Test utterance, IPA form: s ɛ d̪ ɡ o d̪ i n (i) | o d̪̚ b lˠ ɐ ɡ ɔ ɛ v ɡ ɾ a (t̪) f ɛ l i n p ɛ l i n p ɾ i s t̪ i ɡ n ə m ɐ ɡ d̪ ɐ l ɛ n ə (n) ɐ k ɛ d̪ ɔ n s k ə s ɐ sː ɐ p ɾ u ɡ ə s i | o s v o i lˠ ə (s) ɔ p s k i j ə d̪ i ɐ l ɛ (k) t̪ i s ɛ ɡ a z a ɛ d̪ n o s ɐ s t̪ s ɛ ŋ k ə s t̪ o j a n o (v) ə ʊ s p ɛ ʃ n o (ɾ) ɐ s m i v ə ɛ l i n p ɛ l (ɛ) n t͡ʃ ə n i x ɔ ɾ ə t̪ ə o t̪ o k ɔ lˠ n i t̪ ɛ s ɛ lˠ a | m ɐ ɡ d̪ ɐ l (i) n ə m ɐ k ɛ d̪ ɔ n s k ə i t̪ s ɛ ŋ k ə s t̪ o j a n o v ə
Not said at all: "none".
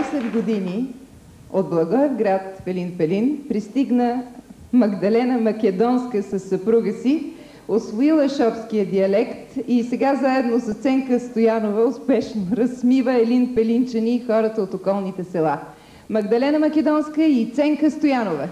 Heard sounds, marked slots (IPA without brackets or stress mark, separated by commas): i, t̪, m, ʃ, k, v, ɾ, i, ɛ